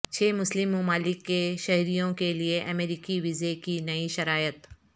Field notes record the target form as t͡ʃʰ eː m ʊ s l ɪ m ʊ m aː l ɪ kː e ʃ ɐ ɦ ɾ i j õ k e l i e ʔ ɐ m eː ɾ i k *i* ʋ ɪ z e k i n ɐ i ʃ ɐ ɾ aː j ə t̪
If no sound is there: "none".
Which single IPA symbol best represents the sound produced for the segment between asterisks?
i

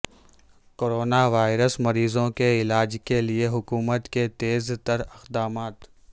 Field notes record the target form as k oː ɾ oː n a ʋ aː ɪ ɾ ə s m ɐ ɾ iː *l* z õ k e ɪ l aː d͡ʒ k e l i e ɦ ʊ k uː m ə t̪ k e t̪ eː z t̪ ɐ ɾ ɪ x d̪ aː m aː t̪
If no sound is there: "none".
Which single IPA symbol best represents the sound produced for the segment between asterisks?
none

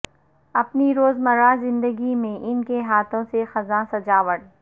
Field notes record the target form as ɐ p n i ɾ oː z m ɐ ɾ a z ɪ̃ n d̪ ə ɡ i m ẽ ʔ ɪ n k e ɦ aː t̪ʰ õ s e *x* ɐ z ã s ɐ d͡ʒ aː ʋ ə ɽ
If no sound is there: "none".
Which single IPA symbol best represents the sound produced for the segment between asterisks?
x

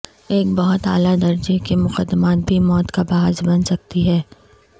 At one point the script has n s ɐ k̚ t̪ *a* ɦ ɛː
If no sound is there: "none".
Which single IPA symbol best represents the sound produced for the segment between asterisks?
i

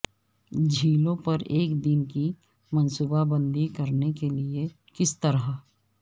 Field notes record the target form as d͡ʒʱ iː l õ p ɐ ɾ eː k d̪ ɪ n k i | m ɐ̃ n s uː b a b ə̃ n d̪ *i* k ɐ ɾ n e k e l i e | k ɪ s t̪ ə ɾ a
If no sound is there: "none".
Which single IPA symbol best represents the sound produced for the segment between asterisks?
i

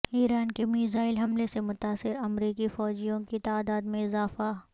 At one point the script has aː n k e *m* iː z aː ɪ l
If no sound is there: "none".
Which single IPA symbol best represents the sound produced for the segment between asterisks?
m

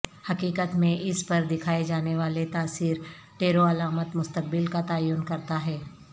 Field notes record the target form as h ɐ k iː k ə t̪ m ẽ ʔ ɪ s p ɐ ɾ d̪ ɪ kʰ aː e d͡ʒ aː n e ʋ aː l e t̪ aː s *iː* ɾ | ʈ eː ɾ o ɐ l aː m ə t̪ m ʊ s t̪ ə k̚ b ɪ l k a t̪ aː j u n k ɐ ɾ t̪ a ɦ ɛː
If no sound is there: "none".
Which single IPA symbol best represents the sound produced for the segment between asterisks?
iː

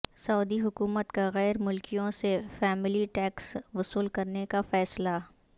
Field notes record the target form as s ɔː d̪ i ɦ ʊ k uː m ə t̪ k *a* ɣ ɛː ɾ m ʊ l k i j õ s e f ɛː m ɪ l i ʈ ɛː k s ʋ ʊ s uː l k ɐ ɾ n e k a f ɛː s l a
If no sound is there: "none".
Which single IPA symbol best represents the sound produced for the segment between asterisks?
a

